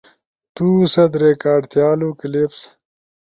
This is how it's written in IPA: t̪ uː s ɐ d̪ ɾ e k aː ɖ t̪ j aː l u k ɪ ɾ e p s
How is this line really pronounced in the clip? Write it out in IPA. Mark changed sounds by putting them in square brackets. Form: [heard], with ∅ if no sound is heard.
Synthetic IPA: t̪ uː s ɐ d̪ ɾ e k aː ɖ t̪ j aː l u k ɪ [l] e p s